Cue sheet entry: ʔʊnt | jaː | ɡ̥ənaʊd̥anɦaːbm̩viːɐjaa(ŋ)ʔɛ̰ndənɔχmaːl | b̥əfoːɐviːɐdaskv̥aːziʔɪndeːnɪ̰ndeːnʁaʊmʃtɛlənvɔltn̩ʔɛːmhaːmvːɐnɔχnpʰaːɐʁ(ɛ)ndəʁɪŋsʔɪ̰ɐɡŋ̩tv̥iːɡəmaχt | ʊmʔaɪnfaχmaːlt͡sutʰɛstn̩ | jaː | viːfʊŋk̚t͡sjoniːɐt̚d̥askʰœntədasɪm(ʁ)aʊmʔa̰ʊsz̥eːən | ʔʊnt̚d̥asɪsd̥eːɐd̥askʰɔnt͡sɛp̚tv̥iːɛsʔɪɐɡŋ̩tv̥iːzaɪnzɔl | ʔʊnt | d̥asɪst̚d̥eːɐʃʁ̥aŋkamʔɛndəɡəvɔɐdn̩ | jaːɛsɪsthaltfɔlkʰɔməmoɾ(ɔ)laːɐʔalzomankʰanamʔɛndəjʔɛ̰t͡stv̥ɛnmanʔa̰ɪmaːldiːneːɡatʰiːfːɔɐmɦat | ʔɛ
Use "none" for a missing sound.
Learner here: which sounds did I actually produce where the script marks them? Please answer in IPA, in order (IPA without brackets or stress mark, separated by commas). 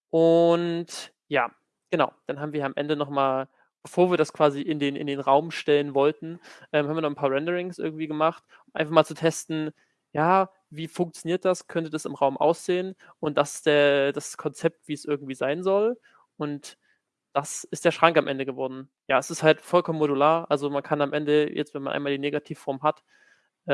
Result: m, ɛ, ʁ, u